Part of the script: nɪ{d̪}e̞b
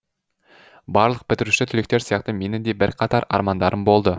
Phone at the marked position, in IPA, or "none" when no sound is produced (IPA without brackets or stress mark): d̪